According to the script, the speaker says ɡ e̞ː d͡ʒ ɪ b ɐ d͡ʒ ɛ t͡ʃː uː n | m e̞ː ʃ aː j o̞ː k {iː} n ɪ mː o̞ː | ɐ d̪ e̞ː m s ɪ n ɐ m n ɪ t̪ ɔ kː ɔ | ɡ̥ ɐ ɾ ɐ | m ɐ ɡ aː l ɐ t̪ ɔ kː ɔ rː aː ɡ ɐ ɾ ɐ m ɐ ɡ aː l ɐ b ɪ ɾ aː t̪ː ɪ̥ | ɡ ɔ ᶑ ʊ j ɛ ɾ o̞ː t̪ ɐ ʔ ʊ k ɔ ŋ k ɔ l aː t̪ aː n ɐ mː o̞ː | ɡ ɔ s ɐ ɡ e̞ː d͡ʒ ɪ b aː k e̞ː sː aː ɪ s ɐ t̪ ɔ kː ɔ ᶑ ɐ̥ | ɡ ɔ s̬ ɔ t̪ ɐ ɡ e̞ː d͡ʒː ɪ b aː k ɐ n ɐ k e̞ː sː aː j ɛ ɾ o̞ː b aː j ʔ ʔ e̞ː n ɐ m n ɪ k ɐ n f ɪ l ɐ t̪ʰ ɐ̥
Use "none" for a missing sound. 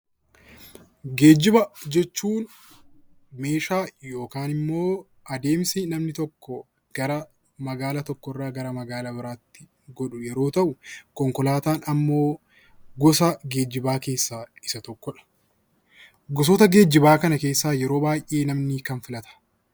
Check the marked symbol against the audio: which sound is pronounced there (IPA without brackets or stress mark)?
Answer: aː